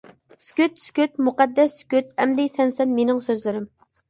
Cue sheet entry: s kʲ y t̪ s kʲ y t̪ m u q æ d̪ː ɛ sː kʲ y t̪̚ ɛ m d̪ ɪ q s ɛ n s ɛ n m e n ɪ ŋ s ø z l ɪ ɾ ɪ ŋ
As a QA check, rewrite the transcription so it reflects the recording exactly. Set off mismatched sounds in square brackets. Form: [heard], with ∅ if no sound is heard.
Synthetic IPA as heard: s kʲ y t̪ s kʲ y t̪ m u q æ d̪ː ɛ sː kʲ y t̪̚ ɛ m d̪ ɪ [∅] s ɛ n s ɛ n m e n ɪ ŋ s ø z l ɪ ɾ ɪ [m]